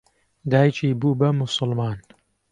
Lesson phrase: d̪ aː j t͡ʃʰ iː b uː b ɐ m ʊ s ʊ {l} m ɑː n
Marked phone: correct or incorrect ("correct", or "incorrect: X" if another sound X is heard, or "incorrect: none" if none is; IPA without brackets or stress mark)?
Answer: correct